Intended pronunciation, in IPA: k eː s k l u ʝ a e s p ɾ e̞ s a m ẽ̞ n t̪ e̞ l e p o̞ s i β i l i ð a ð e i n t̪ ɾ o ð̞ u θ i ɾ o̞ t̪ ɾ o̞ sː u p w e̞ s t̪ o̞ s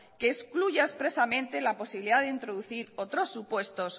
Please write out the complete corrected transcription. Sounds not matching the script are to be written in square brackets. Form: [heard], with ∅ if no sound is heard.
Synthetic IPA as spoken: k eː s k l u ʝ a e s p ɾ e̞ s a m ẽ̞ n t̪ e̞ l [a] p o̞ s i β i l i ð a ð e i n t̪ ɾ o ð̞ u θ i ɾ o̞ t̪ ɾ o̞ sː u p w e̞ s t̪ o̞ s

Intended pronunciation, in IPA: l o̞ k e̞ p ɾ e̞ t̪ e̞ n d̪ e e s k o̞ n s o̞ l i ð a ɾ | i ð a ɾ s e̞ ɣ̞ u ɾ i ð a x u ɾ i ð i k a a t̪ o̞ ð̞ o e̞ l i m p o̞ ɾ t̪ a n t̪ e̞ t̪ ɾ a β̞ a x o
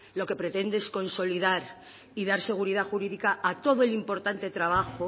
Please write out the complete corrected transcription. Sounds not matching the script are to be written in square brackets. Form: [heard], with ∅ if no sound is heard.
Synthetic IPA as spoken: l o̞ k e̞ p ɾ e̞ t̪ e̞ n d̪ e e s k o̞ n s o̞ l i ð a ɾ | i ð a ɾ s e̞ ɣ̞ u ɾ i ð a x u ɾ i ð i k a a t̪ o̞ ð̞ o e̞ l i m p o̞ ɾ t̪ a n t̪ e̞ t̪ ɾ a β̞ a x o

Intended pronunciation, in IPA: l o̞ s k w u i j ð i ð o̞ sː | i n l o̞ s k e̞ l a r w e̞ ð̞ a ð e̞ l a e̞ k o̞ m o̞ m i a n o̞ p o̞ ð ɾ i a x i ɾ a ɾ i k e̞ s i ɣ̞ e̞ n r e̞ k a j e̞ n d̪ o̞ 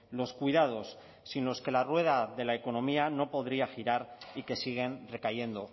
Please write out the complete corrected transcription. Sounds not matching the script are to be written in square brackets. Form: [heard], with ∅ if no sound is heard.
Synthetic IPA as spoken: l o̞ s k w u i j ð [a] ð o̞ sː | i n l o̞ s k e̞ l a r w e̞ ð̞ a ð e̞ l a e̞ k o̞ [n] o̞ m i a n o̞ p o̞ ð ɾ i a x i ɾ a ɾ i k e̞ s i ɣ̞ e̞ n r e̞ k a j e̞ n d̪ o̞

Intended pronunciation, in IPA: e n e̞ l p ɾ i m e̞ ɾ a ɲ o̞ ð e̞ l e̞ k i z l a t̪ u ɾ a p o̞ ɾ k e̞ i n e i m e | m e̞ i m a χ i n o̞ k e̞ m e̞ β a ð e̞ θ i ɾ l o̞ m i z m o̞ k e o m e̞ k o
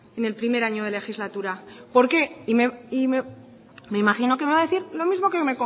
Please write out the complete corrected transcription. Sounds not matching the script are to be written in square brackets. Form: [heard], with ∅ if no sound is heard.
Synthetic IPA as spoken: e n e̞ l p ɾ i m e̞ ɾ a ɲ o̞ ð e̞ l e̞ [x] i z l a t̪ u ɾ a p o̞ ɾ k e̞ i [m] e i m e | m e̞ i m a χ i n o̞ k e̞ m e̞ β a ð e̞ θ i ɾ l o̞ m i z m o̞ k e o m e̞ k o

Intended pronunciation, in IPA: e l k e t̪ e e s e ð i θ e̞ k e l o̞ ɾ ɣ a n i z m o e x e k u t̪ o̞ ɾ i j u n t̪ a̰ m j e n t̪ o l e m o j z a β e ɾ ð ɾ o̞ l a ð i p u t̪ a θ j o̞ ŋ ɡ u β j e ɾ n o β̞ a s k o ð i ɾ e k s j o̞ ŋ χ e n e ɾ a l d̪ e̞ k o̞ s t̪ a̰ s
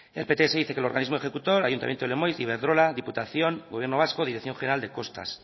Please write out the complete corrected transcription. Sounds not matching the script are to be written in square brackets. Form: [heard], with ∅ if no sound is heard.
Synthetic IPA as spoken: e l [p] e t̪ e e s e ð i θ e̞ k e l o̞ ɾ ɣ a n i z m o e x e k u t̪ o̞ ɾ [a] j u n t̪ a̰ m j e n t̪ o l e m o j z [i] β e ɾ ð ɾ o̞ l a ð i p u t̪ a θ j o̞ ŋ ɡ [o] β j e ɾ n o β̞ a s k o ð i ɾ e k [θ] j o̞ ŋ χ e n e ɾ a l d̪ e̞ k o̞ s t̪ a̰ s

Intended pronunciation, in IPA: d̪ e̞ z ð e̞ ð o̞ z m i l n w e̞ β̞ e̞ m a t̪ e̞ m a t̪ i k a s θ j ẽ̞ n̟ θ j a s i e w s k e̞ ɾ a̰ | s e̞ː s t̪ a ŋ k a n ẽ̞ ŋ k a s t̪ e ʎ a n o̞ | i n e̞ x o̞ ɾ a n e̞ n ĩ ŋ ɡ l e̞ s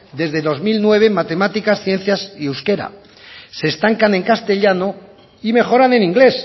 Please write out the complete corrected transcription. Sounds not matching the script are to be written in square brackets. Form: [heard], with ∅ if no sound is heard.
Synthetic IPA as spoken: d̪ e̞ z ð e̞ ð o̞ z m i l n w e̞ β̞ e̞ m a t̪ e̞ m a t̪ i k a s θ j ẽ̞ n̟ θ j a s i e w s k e̞ ɾ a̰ | s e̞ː s t̪ a ŋ k a n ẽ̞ ŋ k a s t̪ e ʎ a n o̞ | i [m] e̞ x o̞ ɾ a n e̞ n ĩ ŋ ɡ l e̞ s

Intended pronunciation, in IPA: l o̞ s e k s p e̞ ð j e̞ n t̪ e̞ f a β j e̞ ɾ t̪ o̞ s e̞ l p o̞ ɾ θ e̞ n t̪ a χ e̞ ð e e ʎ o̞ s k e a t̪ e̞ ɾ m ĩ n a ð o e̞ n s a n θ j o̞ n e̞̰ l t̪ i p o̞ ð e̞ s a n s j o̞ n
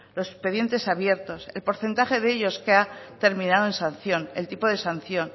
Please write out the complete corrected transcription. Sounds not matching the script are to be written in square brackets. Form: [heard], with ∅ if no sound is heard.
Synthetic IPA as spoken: l o̞ s e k s p e̞ ð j e̞ n t̪ e̞ [s] a β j e̞ ɾ t̪ o̞ s e̞ l p o̞ ɾ θ e̞ n t̪ a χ e̞ ð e e ʎ o̞ s k e a t̪ e̞ ɾ m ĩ n a ð o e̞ n s a n θ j o̞ n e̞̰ l t̪ i p o̞ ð e̞ s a n [θ] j o̞ n

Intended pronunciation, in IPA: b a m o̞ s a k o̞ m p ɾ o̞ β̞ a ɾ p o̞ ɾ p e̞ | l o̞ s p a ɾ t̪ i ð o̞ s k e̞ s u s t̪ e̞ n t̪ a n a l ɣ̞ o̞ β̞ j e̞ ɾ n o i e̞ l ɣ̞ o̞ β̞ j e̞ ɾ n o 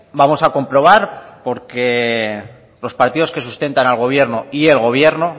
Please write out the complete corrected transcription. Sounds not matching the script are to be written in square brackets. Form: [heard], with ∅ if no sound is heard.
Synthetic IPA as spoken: b a m o̞ s a k o̞ m p ɾ o̞ β̞ a ɾ p o̞ ɾ [k] e̞ | l o̞ s p a ɾ t̪ i ð o̞ s k e̞ s u s t̪ e̞ n t̪ a n a l ɣ̞ o̞ β̞ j e̞ ɾ n o i e̞ l ɣ̞ o̞ β̞ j e̞ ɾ n o

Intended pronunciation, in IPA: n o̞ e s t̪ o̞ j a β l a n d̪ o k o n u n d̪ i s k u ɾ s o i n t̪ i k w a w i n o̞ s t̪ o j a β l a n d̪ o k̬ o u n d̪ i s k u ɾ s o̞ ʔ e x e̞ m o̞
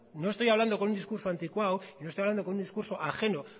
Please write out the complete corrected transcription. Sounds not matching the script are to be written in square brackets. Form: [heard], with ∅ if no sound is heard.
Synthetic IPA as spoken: n o̞ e s t̪ o̞ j a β l a n d̪ o k o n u n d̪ i s k u ɾ s o [a] n t̪ i k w a w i n o̞ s t̪ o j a β l a n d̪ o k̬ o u n d̪ i s k u ɾ s o̞ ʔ [a] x e̞ [n] o̞

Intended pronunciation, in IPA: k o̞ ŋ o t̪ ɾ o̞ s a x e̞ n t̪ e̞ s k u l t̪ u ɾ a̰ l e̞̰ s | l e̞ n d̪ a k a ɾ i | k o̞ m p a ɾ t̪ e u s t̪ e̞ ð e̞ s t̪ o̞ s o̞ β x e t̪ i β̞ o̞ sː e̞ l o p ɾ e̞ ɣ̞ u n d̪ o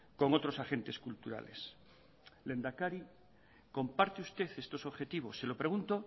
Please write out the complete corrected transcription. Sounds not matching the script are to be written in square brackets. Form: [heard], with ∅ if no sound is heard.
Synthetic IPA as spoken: k o̞ ŋ o t̪ ɾ o̞ s a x e̞ n t̪ e̞ s k u l t̪ u ɾ a̰ l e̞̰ s | l e̞ n d̪ a k a ɾ i | k o̞ m p a ɾ t̪ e u s t̪ e̞ [θ] e̞ s t̪ o̞ s o̞ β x e t̪ i β̞ o̞ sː e̞ l o p ɾ e̞ ɣ̞ u n [t̪] o

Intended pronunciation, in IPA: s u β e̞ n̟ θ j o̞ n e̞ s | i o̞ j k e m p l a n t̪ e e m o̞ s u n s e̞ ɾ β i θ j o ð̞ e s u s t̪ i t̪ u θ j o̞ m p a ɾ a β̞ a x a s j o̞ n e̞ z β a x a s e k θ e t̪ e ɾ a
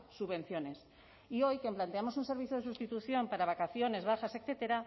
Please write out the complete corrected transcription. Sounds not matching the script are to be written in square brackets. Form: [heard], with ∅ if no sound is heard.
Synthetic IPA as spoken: s u β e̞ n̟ θ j o̞ n e̞ s | i o̞ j k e m p l a n t̪ e [a] m o̞ s u n s e̞ ɾ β i θ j o ð̞ e s u s t̪ i t̪ u θ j o̞ m p a ɾ a β̞ a [k] a [θ] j o̞ n e̞ z β a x a s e k θ e t̪ e ɾ a

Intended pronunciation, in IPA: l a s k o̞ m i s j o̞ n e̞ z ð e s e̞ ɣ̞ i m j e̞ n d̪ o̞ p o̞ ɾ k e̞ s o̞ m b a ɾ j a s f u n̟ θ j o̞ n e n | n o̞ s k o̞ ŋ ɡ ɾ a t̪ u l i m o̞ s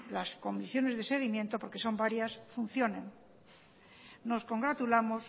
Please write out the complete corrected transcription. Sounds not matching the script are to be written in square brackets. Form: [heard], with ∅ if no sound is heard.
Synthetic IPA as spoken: l a s k o̞ m i s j o̞ n e̞ z ð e s e̞ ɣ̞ i m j e̞ n [t̪] o̞ p o̞ ɾ k e̞ s o̞ m b a ɾ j a s f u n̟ θ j o̞ n e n | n o̞ s k o̞ ŋ ɡ ɾ a t̪ u l [a] m o̞ s

